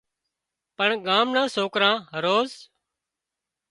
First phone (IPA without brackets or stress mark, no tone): p